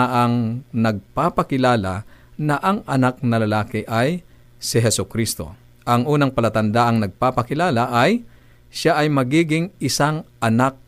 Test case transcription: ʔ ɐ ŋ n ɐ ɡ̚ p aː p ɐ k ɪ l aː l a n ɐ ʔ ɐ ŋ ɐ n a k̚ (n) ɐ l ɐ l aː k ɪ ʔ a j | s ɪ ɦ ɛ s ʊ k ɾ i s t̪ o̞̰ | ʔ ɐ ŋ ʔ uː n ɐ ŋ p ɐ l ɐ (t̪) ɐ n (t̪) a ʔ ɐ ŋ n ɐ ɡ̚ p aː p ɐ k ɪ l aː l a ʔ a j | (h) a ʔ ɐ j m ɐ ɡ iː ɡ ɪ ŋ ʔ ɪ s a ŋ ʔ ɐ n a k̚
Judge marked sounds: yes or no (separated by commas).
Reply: yes, yes, no, no